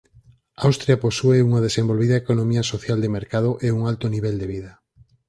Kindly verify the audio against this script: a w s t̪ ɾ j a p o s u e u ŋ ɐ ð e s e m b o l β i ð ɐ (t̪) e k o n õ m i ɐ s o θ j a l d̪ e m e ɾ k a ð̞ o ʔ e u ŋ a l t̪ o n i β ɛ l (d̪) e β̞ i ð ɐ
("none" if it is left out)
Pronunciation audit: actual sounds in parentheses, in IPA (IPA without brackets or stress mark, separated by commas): none, d̪